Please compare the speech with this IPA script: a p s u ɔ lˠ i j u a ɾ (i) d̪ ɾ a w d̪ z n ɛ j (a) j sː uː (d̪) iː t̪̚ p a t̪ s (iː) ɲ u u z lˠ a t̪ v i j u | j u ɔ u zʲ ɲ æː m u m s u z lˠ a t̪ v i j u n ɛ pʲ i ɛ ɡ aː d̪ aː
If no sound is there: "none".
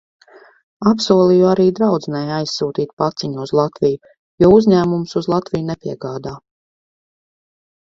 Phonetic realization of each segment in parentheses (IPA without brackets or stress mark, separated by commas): iː, a, t̪, i